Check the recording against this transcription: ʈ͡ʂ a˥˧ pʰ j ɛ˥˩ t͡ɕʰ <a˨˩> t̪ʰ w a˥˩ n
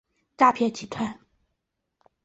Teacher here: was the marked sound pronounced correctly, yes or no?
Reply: no